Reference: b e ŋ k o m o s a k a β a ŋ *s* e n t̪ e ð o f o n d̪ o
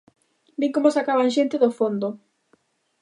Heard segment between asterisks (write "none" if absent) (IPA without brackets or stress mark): ʃ